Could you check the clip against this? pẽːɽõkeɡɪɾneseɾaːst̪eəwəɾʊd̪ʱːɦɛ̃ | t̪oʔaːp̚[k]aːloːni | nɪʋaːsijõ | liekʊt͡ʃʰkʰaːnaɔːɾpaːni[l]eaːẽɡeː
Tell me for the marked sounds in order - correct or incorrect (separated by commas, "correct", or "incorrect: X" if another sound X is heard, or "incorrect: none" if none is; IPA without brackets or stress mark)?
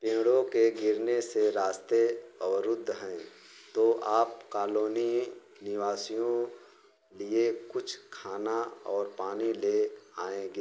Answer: correct, correct